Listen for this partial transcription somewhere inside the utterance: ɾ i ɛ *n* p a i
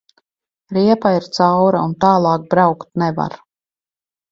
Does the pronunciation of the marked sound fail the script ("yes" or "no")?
yes